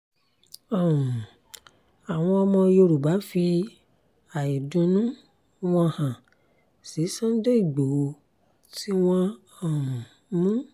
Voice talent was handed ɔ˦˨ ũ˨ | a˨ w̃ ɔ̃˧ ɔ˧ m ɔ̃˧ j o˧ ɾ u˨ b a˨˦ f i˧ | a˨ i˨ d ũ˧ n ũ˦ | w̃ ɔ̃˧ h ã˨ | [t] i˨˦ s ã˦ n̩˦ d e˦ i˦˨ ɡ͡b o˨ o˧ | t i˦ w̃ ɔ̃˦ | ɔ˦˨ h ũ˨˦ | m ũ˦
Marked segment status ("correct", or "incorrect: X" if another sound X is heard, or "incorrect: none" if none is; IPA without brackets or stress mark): incorrect: s